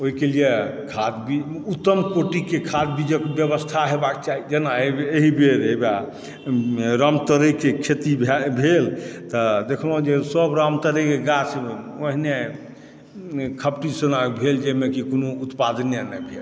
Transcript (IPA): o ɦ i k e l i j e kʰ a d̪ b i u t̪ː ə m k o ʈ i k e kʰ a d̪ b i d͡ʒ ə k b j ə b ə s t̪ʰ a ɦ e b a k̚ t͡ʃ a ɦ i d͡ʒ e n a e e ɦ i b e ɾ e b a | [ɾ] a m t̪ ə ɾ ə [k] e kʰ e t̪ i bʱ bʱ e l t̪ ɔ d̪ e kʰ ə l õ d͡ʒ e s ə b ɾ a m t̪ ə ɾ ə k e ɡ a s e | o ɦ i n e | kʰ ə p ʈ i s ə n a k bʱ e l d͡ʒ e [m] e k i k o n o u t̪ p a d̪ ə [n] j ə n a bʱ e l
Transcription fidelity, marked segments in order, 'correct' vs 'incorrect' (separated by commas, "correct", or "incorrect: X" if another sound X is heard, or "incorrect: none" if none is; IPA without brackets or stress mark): correct, correct, correct, correct